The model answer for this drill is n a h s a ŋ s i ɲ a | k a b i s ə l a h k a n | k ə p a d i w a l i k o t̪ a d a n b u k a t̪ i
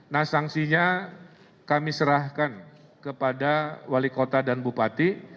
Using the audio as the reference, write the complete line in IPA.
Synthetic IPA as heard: n a h s a ŋ s i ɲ a | k a m i s ə ɾ a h k a n | k ə p a d a w a l i k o t̪ a d a n b u p a t̪ i